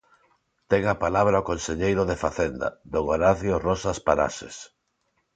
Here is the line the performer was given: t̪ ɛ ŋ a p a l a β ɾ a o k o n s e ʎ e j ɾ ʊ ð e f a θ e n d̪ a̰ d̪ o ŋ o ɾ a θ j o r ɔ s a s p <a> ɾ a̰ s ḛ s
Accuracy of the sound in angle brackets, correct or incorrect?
correct